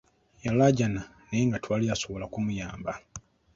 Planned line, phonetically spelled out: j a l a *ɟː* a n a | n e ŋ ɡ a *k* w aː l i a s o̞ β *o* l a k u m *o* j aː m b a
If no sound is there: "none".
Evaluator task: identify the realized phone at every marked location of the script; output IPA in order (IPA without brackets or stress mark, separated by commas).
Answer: ɟ, t, o, u